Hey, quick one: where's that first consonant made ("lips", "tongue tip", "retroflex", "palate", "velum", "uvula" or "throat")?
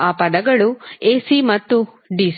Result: lips